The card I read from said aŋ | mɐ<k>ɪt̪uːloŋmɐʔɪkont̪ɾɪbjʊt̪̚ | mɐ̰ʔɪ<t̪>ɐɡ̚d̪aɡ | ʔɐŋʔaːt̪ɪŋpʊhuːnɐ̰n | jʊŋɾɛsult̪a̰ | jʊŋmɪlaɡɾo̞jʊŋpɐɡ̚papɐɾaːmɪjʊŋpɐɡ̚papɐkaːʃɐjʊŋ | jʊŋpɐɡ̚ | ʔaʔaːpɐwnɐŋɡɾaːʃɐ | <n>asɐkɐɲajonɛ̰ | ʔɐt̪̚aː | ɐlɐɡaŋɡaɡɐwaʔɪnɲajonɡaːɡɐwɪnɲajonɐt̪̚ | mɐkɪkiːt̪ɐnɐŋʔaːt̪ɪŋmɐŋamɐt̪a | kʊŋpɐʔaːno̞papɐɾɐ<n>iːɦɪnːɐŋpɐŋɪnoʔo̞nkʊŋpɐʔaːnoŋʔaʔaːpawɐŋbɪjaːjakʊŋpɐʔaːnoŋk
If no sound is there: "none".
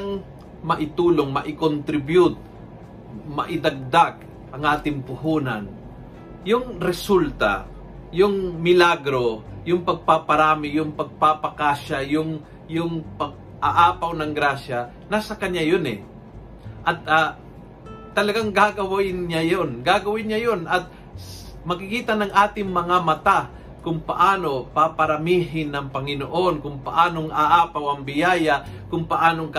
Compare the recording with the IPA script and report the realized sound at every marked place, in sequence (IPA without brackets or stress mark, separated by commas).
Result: ʔ, d̪, n, m